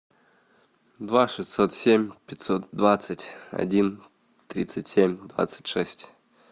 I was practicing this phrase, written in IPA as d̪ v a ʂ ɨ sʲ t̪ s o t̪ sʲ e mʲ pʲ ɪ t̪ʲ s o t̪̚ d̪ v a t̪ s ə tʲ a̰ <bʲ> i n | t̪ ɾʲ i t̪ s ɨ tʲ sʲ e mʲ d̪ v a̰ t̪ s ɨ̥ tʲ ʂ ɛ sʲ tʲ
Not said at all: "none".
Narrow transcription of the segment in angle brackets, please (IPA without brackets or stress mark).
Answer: dʲ